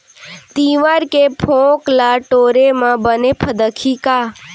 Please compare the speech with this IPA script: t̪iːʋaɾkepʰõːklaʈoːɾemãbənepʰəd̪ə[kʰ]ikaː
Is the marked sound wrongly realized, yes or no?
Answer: no